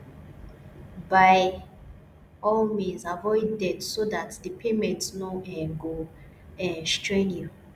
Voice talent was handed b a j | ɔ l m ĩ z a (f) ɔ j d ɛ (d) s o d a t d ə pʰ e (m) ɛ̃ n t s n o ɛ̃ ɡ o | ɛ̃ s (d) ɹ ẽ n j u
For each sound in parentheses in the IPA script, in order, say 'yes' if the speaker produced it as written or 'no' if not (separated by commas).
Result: no, yes, yes, no